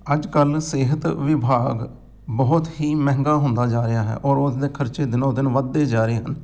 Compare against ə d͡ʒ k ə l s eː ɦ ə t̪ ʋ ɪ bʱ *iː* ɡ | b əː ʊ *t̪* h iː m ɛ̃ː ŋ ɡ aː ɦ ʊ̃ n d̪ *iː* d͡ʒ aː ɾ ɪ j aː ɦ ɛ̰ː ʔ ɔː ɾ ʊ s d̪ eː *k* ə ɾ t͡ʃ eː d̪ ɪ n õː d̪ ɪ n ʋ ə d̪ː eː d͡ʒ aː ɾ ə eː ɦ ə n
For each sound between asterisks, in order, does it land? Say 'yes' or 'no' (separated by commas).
no, yes, no, no